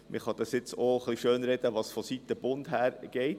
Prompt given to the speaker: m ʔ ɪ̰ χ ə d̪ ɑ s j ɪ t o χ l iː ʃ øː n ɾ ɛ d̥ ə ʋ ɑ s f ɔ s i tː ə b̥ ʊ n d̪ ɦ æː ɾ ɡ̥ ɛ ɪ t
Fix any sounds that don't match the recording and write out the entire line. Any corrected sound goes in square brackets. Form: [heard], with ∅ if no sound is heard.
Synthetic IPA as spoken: m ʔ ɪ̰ χ [ɑ] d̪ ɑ s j ɪ [t͡s] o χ l [i] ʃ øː n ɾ ɛ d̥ ə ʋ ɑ s f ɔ s i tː ə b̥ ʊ n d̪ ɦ æː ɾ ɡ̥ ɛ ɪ t